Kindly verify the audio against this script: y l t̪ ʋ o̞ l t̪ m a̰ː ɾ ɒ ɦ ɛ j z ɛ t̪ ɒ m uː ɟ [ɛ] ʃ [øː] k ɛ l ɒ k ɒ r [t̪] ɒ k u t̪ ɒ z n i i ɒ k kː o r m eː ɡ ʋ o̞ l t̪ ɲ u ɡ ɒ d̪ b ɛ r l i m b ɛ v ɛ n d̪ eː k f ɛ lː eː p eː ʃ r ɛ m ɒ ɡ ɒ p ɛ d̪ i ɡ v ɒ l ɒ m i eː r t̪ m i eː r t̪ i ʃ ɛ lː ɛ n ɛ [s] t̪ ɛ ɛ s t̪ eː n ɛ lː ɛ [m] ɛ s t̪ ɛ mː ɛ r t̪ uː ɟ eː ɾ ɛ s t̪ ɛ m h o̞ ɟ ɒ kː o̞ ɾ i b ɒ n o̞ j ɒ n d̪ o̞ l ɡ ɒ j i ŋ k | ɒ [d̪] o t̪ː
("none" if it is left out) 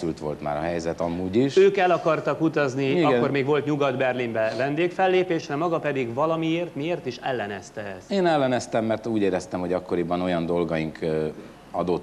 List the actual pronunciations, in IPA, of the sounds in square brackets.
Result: i, øː, t̪, s, n, d̪

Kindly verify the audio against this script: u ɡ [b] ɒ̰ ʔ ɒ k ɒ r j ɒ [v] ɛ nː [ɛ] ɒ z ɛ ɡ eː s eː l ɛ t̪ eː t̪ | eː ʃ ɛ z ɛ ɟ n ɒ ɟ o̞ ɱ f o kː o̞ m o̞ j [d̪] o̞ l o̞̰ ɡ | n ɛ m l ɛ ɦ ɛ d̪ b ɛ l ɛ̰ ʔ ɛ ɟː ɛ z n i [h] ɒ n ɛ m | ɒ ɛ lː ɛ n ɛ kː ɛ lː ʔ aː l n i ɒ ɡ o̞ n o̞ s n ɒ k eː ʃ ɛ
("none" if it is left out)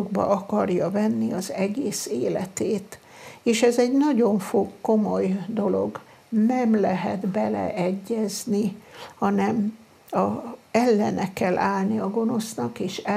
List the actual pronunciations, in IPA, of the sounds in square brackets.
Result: b, v, i, d̪, h

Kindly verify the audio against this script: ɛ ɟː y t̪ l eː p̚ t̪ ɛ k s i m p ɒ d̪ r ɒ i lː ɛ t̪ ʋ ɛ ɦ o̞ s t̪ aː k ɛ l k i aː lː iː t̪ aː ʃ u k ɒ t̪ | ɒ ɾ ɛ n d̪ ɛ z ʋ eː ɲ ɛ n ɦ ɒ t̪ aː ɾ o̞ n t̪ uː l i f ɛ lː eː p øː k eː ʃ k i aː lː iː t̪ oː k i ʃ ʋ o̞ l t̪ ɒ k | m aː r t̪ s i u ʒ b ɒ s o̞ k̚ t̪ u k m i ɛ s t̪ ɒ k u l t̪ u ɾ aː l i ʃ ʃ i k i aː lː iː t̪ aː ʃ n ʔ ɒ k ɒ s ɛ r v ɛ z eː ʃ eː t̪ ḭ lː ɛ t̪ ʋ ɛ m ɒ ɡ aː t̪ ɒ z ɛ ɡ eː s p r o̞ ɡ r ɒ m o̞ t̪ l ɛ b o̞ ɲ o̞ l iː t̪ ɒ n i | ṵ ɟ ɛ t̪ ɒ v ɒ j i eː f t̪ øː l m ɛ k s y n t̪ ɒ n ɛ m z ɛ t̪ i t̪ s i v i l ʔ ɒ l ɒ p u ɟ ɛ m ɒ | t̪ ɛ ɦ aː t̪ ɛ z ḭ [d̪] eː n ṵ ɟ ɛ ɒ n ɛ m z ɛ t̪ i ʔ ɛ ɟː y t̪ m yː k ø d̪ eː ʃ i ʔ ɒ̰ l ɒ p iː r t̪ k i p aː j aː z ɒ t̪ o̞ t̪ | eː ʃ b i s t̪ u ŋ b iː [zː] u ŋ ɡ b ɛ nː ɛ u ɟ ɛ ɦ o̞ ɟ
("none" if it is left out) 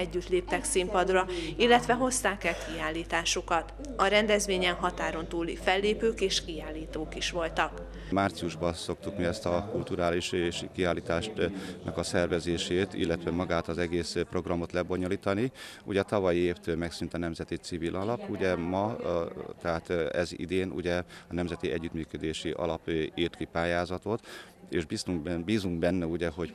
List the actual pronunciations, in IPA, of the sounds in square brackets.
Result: d̪, z

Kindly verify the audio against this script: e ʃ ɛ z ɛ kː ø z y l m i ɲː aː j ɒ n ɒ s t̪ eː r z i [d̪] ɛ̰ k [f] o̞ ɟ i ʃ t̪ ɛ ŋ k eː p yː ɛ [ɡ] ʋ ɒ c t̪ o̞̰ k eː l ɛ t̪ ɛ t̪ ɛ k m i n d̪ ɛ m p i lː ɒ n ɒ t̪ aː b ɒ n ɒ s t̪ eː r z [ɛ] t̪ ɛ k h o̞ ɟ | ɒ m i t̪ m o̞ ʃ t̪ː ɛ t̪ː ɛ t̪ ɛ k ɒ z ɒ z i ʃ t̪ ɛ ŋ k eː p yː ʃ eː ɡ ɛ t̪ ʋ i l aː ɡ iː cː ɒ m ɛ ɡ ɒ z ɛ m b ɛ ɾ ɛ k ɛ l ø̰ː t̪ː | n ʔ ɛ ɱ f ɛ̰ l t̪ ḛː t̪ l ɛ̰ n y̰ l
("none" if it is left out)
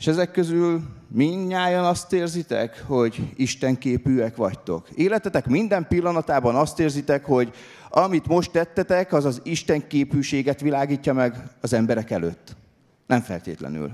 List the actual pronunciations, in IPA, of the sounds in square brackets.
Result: t̪, h, k, i

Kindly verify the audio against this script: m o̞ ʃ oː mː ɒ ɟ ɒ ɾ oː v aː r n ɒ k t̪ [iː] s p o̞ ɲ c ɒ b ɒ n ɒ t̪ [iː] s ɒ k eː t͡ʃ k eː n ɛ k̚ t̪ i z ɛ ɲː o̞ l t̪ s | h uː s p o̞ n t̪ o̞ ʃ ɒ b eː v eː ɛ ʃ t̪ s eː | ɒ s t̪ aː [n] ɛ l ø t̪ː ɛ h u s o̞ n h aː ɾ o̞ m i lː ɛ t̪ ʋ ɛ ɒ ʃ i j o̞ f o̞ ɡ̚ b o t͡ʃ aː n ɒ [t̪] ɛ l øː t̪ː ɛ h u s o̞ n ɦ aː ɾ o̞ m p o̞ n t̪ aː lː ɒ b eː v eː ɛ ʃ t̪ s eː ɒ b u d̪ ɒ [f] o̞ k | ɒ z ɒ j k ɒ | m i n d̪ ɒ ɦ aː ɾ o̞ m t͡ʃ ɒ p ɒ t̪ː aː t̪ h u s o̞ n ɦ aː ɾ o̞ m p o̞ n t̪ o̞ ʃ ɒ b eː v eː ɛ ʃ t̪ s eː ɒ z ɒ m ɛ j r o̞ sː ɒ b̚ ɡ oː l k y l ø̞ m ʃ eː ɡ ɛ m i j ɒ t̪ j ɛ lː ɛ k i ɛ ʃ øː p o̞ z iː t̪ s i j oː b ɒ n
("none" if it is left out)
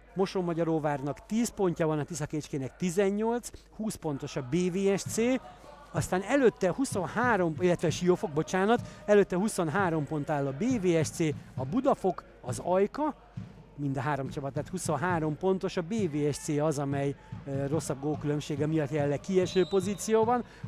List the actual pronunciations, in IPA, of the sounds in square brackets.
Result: iː, i, n, t̪, f

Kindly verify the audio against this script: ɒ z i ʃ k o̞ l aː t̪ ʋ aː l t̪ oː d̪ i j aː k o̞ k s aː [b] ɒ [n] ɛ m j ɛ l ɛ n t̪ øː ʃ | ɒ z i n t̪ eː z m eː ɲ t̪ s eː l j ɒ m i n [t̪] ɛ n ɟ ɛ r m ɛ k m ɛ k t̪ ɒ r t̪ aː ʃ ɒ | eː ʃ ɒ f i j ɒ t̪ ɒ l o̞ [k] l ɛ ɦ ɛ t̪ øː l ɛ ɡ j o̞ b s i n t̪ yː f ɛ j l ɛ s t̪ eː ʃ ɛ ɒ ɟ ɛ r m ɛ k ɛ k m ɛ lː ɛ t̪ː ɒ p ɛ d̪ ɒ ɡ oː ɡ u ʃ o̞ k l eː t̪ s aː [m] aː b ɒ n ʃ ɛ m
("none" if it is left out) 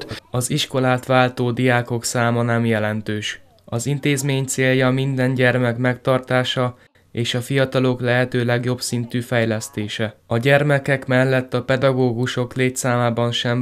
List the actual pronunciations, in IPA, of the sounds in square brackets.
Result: m, n, d̪, k, m

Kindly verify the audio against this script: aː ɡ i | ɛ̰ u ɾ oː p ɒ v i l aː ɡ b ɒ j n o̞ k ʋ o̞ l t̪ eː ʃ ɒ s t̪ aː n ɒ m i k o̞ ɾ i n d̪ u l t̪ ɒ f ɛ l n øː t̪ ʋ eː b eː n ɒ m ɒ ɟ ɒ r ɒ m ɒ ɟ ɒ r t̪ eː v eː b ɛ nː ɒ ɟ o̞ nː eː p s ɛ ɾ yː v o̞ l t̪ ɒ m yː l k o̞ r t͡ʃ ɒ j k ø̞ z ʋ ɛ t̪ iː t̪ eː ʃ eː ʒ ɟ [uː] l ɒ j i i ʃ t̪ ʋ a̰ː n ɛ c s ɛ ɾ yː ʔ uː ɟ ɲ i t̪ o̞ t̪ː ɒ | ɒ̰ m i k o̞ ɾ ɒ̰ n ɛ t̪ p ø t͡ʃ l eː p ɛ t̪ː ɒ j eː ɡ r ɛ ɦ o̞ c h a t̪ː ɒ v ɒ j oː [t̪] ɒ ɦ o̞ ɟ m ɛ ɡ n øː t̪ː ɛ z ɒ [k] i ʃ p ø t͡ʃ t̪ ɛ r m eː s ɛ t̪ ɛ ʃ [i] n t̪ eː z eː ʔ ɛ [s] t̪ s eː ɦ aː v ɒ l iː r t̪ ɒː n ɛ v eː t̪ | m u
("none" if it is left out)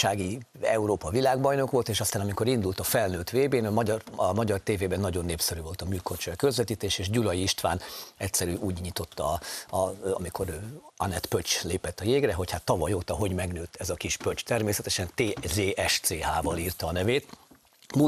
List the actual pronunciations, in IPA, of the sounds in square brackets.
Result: u, t̪, k, ɛ, ʃ

